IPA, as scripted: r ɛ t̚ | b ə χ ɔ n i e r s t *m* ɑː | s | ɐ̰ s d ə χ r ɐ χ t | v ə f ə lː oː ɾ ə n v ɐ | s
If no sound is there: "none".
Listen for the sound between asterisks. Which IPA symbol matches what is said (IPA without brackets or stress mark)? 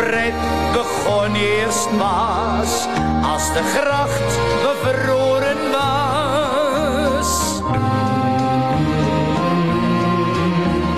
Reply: m